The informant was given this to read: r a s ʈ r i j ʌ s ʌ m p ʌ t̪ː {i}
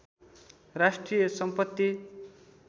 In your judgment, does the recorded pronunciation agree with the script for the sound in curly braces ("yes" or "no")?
yes